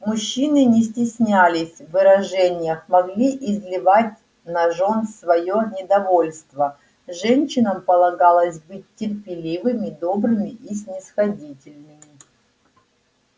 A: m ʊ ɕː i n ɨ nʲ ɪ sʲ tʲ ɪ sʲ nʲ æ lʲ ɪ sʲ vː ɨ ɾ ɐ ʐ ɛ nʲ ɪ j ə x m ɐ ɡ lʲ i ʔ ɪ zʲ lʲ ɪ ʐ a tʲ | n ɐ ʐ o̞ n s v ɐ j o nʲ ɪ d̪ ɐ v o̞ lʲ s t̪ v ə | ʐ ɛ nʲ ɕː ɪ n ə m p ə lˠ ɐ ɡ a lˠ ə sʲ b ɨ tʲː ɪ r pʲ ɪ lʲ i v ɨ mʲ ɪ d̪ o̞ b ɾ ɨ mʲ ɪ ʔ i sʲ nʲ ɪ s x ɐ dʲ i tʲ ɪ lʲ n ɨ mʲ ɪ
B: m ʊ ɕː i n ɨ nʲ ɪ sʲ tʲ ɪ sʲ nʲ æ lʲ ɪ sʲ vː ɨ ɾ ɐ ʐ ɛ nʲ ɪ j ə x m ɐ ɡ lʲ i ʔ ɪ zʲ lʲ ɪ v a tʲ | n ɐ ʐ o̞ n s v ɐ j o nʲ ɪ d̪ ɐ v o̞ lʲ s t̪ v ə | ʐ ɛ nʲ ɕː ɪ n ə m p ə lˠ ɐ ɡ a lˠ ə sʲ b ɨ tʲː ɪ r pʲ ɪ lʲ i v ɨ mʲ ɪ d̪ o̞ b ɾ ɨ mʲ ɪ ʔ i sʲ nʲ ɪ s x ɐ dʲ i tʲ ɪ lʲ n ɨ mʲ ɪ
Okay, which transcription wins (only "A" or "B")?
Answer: B